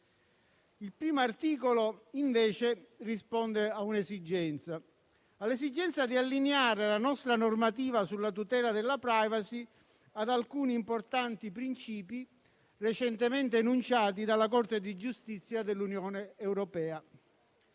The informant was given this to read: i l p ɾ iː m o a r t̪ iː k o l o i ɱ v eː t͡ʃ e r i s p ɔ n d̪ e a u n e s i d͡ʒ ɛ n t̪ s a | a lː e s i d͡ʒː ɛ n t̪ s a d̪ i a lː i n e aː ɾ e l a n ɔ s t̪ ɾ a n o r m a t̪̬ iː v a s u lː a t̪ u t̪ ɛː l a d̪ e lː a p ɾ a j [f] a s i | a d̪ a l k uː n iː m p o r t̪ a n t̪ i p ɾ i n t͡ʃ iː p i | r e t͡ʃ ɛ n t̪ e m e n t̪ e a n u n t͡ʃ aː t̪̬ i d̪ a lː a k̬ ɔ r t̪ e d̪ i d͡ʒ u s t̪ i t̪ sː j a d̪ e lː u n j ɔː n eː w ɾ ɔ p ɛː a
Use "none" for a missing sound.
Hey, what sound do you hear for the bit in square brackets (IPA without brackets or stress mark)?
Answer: v